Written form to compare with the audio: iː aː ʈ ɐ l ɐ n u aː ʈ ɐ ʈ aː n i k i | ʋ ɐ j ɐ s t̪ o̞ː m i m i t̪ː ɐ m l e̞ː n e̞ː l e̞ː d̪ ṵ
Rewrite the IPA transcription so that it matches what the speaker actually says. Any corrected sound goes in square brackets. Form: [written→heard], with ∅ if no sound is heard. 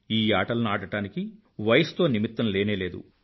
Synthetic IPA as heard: iː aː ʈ ɐ l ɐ n u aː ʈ ɐ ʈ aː n i k i | ʋ ɐ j ɐ s t̪ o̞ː [m→n] i m i t̪ː ɐ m l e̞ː n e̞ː l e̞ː d̪ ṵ